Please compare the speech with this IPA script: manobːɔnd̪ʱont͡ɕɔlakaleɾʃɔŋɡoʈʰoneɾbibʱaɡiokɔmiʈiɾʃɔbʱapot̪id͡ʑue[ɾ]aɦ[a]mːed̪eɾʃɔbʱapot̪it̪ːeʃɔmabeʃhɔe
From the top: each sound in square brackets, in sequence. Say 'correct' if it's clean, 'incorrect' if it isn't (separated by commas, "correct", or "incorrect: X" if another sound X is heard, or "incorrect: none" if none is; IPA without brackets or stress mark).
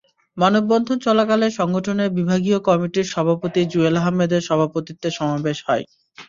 incorrect: l, correct